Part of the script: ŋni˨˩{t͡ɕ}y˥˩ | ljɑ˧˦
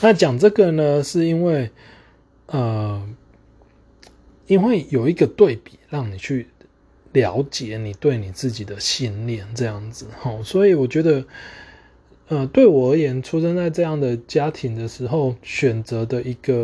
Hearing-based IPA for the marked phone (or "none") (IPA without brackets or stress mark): t͡ɕʰ